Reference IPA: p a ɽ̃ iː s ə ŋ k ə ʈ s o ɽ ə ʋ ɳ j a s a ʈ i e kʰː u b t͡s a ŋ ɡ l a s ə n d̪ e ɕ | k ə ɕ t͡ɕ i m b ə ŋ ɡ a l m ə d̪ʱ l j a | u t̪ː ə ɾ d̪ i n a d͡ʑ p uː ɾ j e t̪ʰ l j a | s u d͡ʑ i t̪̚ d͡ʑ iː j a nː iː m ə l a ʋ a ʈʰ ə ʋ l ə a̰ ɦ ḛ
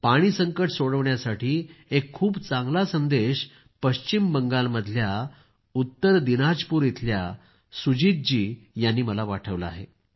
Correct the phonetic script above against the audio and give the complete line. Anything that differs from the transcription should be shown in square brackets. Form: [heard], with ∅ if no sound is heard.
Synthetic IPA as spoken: p a ɽ̃ iː s ə ŋ k ə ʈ s o ɽ ə ʋ ɳ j a s a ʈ [iː] e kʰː [uː] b t͡s a ŋ ɡ l a s ə n d̪ e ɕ | [p] ə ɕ t͡ɕ i m b ə ŋ ɡ a l m ə d̪ʱ l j a | u t̪ː ə ɾ d̪ i n a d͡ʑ p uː ɾ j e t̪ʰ l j a | s u d͡ʑ i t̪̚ d͡ʑ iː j a nː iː m ə l a ʋ a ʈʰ ə ʋ l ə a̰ ɦ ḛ